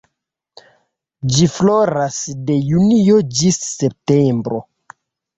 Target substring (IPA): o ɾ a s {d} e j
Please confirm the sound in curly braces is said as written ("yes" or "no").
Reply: yes